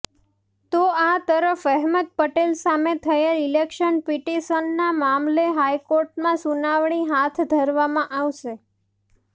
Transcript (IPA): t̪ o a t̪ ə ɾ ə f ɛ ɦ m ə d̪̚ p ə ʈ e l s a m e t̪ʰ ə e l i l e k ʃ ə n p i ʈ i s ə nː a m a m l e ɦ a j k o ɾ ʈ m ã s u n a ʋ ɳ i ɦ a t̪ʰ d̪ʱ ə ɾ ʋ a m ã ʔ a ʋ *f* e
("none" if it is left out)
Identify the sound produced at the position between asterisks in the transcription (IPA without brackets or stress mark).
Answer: ʃ